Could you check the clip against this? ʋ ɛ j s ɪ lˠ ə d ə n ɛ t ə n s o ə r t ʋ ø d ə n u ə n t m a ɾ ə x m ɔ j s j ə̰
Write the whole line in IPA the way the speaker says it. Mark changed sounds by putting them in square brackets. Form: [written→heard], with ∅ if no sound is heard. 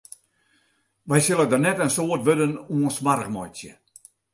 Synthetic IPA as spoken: ʋ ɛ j s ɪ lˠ ə d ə n ɛ t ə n s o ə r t ʋ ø d ə n u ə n [t→s] m a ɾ ə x m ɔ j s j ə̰